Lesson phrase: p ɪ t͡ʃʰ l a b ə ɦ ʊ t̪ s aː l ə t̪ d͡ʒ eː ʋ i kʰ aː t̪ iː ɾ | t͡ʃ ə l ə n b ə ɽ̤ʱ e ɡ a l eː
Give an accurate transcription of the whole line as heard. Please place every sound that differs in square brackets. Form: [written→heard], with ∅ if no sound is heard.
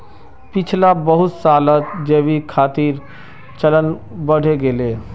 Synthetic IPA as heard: p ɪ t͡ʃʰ l a b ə ɦ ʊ t̪ s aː l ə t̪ d͡ʒ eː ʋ i kʰ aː t̪ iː ɾ | t͡ʃ ə l ə n b ə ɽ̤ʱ e ɡ [a→e] l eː